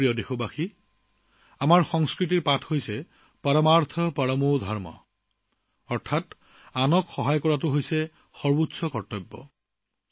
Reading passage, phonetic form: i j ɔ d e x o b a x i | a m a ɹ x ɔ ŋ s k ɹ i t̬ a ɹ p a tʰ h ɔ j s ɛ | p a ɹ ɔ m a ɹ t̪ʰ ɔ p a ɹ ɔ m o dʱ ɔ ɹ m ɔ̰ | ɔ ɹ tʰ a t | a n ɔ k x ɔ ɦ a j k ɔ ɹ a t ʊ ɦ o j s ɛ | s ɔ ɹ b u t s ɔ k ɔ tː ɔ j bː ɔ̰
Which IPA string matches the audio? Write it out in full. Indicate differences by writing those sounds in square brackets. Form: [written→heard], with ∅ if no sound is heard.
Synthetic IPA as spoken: i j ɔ d e x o b a x i | a m a ɹ x ɔ ŋ s k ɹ i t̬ [a→i] ɹ p a tʰ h [ɔ→o] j s ɛ | p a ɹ ɔ m a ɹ t̪ʰ ɔ p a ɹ ɔ m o dʱ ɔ ɹ m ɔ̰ | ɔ ɹ tʰ a t | a n ɔ k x ɔ ɦ a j k ɔ ɹ a t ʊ ɦ o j s ɛ | [s→x] ɔ ɹ b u t s ɔ k ɔ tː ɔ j bː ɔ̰